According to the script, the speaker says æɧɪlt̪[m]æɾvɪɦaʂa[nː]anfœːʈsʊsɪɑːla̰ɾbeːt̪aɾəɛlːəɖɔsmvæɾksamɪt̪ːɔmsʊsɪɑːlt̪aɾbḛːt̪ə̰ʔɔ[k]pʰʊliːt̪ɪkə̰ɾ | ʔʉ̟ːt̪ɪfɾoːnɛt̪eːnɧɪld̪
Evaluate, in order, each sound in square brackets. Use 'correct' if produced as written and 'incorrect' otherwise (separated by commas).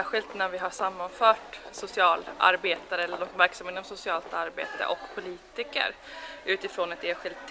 incorrect, incorrect, correct